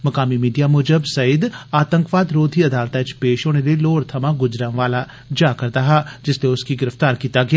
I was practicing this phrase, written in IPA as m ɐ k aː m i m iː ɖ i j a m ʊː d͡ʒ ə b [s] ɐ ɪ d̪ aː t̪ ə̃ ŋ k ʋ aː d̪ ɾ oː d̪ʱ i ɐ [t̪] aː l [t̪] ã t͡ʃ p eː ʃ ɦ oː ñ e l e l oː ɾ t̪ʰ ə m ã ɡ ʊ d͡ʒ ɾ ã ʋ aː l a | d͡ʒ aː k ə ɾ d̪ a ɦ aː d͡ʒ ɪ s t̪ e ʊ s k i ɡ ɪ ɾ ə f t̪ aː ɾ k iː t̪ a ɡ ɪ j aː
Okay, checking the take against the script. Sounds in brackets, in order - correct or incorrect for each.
correct, incorrect: d̪, correct

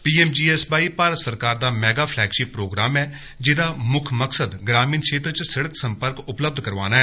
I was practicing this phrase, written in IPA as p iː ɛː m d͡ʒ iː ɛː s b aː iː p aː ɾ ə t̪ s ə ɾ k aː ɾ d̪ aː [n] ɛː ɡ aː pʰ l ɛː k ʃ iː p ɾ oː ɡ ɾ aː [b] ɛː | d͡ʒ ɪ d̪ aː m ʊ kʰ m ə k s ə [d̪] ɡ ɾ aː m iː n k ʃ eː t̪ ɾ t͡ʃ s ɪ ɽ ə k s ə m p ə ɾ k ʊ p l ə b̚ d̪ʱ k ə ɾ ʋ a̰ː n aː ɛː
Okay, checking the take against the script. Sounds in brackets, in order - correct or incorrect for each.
incorrect: m, incorrect: m, correct

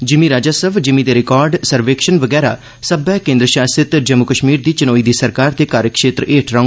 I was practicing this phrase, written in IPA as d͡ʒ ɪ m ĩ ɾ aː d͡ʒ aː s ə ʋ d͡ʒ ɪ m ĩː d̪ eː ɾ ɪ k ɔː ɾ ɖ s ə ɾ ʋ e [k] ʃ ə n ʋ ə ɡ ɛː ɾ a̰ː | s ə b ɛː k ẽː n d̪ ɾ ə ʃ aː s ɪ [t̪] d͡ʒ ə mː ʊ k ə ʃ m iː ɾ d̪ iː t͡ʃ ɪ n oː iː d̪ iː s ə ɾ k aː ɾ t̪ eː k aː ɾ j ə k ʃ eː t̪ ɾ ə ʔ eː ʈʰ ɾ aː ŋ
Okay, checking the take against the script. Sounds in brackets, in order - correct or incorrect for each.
correct, correct

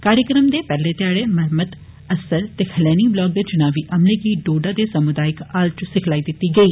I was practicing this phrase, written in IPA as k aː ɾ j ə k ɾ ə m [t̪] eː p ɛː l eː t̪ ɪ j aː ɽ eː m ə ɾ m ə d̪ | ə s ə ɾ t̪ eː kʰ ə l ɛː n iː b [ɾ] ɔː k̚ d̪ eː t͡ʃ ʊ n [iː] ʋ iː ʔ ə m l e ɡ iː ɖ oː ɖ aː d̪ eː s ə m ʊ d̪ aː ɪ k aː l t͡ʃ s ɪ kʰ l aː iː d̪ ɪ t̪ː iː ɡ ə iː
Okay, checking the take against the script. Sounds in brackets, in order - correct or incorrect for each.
incorrect: d̪, incorrect: l, incorrect: aː

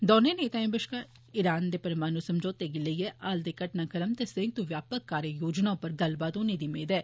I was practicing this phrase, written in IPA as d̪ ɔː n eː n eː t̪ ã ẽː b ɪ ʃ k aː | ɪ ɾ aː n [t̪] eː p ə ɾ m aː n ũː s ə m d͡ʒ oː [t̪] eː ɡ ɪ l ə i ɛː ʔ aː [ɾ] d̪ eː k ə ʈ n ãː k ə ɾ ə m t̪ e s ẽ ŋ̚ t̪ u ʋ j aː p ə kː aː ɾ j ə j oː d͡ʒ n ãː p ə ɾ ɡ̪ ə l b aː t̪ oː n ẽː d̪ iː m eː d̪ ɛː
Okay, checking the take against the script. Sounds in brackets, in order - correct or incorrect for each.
incorrect: d̪, correct, incorrect: l

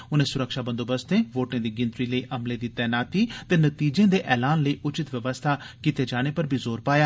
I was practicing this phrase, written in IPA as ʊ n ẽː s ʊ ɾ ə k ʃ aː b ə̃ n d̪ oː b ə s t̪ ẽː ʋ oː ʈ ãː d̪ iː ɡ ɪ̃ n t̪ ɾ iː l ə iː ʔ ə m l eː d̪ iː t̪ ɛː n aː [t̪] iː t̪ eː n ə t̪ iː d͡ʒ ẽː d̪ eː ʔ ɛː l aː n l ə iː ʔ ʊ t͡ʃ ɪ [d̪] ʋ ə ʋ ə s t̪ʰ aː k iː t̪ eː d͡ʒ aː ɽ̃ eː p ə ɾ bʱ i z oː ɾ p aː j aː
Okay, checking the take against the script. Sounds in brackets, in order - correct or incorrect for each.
correct, incorrect: t̪

